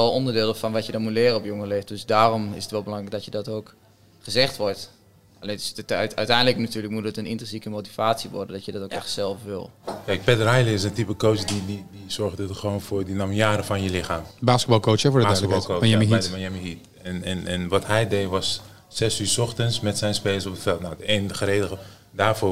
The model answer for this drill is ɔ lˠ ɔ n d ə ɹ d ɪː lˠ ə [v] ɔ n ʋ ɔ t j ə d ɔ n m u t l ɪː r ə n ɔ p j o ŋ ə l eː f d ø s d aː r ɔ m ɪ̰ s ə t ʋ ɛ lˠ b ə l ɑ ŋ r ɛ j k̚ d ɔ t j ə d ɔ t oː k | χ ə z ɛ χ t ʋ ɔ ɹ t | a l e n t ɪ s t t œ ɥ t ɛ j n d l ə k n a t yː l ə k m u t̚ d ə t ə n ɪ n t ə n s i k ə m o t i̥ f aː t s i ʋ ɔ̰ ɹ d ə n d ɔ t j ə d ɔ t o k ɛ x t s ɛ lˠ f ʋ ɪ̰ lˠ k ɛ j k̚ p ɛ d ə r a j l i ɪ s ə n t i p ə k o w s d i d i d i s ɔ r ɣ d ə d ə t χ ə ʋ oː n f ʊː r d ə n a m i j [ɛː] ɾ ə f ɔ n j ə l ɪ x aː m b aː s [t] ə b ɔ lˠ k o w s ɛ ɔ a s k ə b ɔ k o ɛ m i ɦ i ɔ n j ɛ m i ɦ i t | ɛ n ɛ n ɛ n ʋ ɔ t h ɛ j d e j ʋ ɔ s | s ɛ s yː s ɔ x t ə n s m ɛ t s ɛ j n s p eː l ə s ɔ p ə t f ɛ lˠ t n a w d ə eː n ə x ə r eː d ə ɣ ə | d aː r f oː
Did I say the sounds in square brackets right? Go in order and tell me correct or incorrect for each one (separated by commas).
incorrect, incorrect, incorrect